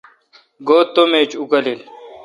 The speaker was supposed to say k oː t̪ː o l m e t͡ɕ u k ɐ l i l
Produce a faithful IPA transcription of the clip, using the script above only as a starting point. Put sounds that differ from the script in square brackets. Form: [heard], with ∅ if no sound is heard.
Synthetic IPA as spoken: [ɡ] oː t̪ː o [∅] m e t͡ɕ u k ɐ l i l